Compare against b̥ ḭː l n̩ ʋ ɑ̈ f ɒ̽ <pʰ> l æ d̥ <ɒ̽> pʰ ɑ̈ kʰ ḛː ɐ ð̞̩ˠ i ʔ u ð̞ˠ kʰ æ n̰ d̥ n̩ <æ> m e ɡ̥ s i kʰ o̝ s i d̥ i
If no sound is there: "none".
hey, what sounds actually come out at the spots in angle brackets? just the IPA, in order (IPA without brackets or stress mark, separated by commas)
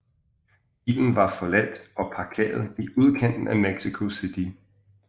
none, ɒ̽, æ